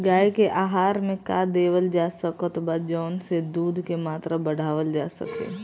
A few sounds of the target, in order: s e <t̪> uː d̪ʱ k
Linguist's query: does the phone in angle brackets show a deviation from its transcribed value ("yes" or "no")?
yes